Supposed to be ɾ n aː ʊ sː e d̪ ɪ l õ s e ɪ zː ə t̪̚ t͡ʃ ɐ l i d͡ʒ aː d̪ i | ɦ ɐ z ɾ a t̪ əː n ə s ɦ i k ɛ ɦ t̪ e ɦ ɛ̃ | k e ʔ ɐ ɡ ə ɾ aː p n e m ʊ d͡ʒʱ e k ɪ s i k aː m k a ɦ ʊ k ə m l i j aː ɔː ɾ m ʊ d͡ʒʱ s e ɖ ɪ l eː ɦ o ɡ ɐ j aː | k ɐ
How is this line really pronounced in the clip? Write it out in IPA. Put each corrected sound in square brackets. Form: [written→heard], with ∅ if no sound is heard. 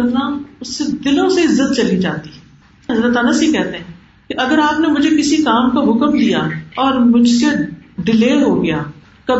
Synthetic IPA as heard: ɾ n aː ʊ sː e d̪ ɪ l õ s e ɪ zː ə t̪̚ t͡ʃ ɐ l i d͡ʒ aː [d̪→t̪] i | ɦ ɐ z ɾ [a→ə] t̪ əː n ə s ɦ i k ɛ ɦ t̪ e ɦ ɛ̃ | k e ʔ ɐ ɡ ə ɾ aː p n e m ʊ d͡ʒʱ e k ɪ s i k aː m k a ɦ ʊ k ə m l i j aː ɔː ɾ m ʊ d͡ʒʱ s e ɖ ɪ l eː ɦ o ɡ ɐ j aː | k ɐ